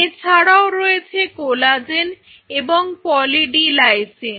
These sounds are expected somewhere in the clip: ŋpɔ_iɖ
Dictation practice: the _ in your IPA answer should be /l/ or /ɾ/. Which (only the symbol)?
l